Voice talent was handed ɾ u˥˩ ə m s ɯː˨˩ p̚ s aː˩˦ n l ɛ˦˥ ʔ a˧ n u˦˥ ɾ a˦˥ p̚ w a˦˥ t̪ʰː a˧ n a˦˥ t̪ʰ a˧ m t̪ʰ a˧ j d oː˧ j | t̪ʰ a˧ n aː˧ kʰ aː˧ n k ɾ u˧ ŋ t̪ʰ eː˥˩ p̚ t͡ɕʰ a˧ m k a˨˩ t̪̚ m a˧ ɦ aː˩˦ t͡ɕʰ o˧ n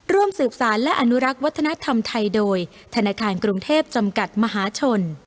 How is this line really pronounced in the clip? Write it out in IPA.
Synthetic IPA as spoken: ɾ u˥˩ ə m s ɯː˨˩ p̚ s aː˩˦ n l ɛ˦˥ ʔ a˧ n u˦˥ ɾ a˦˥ k̚ w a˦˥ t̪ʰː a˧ n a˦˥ t̪ʰ a˧ m t̪ʰ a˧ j d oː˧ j | t̪ʰ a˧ n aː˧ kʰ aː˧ n k ɾ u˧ ŋ t̪ʰ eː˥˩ p̚ t͡ɕ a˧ m k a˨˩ t̪̚ m a˧ ɦ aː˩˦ t͡ɕʰ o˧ n